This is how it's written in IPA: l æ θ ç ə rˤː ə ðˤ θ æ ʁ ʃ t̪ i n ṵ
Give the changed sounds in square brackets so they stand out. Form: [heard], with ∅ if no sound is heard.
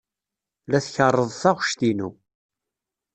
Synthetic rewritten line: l æ θ ç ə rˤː ə ðˤ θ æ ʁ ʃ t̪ i n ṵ